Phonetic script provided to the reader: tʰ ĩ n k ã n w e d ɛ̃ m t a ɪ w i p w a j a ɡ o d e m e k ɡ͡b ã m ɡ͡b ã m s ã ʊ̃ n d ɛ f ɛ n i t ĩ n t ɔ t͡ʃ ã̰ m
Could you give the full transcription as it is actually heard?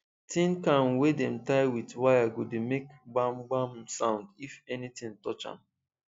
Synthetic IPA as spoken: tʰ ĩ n k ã n w e d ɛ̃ m t a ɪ w i t w a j a ɡ o d e m e k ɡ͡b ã m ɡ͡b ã m s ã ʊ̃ n d i f ɛ n i t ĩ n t ɔ t͡ʃ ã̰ m

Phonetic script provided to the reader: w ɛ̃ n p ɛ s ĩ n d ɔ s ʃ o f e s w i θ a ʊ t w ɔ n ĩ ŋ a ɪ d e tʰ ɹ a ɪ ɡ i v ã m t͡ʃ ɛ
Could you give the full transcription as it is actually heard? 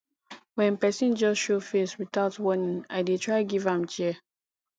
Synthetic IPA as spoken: w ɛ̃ n p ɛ s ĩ n d͡ʒ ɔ s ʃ o f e s w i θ a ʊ t w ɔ n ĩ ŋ a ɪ d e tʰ ɹ a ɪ ɡ i v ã m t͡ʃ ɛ

